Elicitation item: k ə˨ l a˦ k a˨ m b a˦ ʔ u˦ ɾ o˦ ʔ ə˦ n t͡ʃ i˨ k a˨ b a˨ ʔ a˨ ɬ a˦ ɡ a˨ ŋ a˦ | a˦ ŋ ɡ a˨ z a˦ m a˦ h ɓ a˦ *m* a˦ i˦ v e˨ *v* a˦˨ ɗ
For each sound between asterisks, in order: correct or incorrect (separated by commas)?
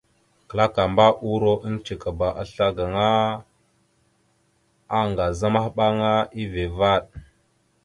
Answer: incorrect, correct